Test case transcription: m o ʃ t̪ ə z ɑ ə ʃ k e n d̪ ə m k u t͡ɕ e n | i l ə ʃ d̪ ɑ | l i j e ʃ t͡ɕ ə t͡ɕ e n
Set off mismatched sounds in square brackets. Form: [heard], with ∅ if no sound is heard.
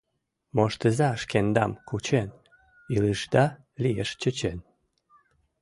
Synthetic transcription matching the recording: m o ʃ t̪ ə z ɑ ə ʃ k e n d̪ [ɑ] m k u t͡ɕ e n | i l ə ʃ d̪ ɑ | l i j e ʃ t͡ɕ ə t͡ɕ e n